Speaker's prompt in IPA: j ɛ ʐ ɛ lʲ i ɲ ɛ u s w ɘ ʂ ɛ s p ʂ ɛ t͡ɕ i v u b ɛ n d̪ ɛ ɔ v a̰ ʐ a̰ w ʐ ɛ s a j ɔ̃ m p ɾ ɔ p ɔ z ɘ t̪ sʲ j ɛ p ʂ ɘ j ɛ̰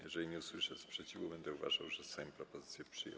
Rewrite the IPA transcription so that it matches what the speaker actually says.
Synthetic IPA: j ɛ ʐ ɛ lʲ i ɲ ɛ u s w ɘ ʂ ɛ s p ʂ ɛ t͡ɕ i v u b ɛ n d̪ ɛ u v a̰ ʐ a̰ w ʐ ɛ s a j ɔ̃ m p ɾ ɔ p ɔ z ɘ t̪ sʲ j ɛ p ʂ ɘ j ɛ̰